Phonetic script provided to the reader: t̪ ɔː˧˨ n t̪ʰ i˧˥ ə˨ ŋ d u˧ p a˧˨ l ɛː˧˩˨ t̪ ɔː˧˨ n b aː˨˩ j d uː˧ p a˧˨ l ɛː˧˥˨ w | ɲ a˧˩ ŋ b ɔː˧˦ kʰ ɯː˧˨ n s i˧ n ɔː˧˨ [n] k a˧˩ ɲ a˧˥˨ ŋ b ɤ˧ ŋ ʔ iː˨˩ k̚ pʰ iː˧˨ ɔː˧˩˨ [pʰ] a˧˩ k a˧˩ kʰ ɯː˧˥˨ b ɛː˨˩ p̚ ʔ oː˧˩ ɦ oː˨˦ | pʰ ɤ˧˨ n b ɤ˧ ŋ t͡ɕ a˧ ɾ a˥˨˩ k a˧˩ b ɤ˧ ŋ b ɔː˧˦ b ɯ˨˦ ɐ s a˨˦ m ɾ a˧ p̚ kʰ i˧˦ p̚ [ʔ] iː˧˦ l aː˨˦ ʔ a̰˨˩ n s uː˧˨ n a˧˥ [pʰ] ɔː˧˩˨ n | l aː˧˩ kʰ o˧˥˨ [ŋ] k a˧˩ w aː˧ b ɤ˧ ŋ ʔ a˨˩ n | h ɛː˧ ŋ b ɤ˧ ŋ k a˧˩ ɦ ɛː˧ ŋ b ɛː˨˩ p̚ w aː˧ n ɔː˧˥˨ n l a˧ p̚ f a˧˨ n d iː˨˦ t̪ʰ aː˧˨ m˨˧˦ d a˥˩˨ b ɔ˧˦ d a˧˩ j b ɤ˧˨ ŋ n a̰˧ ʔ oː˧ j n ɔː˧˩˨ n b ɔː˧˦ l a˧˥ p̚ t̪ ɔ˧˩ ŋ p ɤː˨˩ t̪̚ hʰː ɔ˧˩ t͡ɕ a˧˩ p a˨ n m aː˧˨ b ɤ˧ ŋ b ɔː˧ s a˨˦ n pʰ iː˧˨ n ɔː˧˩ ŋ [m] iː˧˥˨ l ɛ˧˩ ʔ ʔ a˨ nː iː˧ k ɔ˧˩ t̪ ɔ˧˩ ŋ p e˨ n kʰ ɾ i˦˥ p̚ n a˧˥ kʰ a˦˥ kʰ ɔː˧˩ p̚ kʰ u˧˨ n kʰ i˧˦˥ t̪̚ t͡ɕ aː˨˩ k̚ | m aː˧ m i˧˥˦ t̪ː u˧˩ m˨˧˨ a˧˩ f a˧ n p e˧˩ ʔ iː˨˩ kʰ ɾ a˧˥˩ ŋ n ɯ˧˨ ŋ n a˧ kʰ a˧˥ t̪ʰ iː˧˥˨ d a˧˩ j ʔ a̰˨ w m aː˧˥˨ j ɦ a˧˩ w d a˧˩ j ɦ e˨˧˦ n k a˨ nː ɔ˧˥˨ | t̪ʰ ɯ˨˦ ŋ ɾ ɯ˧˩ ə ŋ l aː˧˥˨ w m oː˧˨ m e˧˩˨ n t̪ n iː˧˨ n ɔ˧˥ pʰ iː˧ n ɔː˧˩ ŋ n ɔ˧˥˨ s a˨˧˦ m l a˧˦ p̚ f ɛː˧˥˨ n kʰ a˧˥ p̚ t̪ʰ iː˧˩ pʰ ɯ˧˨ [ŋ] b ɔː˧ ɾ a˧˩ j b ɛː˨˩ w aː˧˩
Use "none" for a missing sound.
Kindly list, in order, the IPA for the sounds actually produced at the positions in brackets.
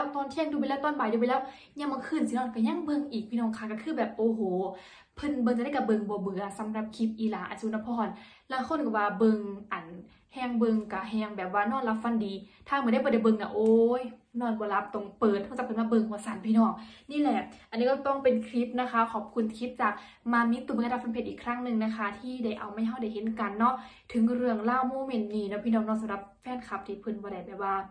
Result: n, kʰ, ʔ, pʰ, n, n, n

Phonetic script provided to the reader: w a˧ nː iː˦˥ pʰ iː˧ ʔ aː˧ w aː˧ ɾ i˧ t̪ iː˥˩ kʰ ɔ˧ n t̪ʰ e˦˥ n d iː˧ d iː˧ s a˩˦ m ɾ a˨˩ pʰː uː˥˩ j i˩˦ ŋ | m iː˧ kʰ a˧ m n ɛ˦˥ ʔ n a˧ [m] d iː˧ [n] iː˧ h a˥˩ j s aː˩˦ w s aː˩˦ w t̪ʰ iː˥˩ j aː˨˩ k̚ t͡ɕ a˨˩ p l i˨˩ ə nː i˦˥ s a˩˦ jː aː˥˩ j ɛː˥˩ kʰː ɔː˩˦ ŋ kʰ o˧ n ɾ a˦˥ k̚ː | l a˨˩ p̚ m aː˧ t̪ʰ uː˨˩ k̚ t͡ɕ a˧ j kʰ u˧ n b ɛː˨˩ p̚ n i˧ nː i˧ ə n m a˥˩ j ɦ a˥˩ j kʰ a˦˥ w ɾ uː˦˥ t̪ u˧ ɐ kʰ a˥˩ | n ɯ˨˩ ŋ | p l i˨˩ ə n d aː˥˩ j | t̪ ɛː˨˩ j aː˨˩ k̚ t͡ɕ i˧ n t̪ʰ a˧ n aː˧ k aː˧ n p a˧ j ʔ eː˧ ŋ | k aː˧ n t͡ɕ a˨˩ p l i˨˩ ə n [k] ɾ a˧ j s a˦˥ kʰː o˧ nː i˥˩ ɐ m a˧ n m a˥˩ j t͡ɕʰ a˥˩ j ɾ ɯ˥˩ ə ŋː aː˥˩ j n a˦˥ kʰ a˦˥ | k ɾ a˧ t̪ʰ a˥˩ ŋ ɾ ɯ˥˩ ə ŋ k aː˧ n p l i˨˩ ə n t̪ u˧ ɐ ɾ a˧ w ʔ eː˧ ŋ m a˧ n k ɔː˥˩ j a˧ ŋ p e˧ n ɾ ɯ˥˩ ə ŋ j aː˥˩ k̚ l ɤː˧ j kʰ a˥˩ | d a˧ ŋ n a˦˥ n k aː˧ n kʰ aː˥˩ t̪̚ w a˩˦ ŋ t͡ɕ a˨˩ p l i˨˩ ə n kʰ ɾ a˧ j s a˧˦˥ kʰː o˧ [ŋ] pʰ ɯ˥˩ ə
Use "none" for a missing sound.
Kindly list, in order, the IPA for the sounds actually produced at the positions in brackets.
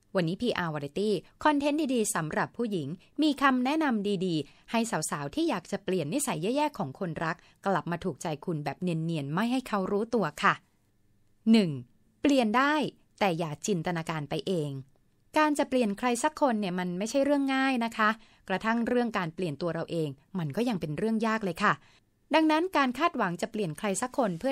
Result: m, d, kʰ, n

